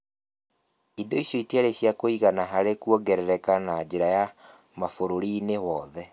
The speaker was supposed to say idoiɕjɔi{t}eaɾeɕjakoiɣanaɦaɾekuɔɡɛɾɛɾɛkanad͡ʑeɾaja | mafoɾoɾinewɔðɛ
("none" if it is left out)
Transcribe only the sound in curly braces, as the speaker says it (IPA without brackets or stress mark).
t